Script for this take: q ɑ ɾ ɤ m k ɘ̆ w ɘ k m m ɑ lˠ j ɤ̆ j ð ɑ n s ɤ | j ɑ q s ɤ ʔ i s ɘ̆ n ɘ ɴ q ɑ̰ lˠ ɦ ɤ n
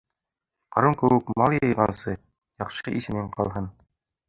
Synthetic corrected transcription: q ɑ ɾ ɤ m k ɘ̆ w ɘ k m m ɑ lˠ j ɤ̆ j ʁ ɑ n s ɤ | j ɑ q ʃ ɤ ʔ i s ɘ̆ n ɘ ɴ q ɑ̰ lˠ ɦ ɤ n